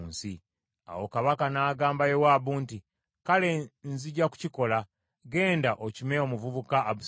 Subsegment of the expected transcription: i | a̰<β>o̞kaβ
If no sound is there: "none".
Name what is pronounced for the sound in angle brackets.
w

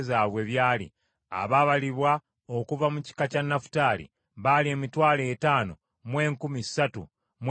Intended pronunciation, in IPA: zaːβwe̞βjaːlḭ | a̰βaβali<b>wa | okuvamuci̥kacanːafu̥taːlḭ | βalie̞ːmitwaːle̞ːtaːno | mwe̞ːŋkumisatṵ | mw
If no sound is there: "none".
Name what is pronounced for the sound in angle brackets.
β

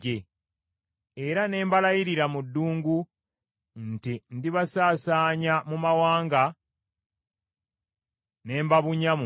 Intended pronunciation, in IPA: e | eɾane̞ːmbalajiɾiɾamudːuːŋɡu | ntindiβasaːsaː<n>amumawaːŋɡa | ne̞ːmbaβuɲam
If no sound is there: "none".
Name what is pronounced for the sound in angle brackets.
ɲ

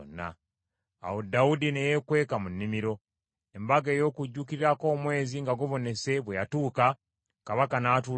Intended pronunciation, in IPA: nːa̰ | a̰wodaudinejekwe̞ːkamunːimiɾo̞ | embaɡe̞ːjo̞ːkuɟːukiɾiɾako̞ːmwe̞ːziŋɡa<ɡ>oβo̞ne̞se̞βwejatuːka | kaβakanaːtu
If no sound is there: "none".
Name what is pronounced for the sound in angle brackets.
ɡ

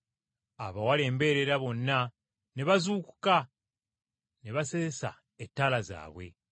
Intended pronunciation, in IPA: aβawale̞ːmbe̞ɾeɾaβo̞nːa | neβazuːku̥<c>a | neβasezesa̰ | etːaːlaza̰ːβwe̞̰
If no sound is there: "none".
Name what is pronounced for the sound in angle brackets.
k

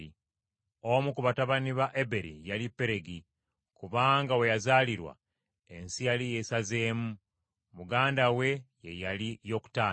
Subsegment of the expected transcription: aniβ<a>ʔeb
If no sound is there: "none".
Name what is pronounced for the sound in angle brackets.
a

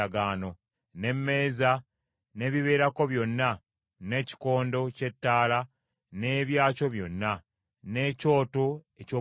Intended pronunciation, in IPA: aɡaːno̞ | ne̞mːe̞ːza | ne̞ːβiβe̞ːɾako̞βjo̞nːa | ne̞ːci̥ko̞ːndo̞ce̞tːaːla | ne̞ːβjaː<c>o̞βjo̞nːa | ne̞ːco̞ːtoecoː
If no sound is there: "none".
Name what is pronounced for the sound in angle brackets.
c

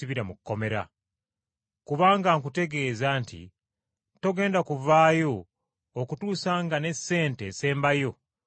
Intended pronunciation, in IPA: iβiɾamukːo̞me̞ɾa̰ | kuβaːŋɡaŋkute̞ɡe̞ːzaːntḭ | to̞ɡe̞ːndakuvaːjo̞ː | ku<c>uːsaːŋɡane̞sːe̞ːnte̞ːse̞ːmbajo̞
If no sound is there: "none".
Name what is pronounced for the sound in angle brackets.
t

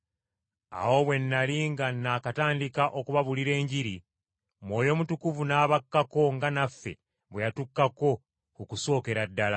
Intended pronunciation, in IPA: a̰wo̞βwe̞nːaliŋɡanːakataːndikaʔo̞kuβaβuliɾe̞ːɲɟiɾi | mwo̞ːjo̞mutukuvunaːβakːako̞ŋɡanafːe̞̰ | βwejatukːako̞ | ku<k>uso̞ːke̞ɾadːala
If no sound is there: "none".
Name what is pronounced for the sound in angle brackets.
k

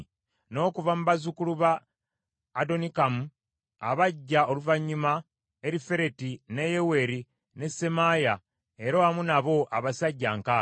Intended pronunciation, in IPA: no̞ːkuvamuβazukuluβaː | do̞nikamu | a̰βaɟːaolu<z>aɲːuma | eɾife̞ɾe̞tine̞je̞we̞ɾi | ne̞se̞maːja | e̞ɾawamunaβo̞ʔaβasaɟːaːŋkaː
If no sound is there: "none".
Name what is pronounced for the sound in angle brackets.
v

